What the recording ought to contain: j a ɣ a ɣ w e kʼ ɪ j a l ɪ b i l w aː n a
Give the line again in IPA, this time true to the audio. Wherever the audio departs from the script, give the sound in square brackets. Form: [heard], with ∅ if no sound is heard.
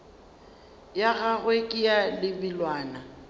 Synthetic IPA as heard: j a ɣ a ɣ w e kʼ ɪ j a l ɪ b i l w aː n a